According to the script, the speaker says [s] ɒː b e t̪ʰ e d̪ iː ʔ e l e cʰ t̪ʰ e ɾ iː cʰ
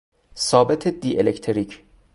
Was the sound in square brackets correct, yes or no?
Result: yes